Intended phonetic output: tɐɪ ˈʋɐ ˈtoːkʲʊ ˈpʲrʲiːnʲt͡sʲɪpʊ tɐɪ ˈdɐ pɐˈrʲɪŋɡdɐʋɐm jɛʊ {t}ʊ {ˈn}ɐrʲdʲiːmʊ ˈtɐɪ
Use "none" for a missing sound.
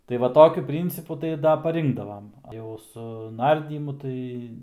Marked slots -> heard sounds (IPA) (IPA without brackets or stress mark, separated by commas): s, n